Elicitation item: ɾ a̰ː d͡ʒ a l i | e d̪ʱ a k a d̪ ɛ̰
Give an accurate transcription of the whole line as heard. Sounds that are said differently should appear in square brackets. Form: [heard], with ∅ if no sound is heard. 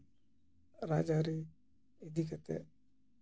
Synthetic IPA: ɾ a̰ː d͡ʒ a [ɾ] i | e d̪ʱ [i] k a [t̪] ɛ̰